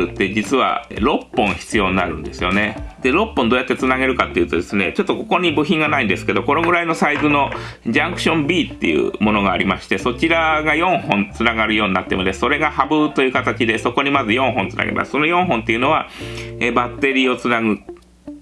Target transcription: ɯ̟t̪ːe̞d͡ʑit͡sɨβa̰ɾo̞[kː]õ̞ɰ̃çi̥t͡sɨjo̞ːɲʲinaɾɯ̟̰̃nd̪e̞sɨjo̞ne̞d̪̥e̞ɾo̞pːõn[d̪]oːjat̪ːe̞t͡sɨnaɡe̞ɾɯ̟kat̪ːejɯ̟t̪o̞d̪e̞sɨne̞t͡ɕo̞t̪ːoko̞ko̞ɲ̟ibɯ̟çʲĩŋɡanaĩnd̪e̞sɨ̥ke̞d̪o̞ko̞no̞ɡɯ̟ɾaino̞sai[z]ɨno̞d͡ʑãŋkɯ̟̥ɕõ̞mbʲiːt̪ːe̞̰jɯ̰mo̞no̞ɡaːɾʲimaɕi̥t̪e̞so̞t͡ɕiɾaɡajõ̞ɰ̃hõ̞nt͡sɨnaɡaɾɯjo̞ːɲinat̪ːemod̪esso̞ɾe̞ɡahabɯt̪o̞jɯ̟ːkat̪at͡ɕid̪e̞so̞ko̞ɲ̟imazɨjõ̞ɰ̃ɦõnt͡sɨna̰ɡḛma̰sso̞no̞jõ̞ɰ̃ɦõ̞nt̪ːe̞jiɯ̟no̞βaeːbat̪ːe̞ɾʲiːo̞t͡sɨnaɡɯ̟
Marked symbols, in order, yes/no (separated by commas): no, yes, yes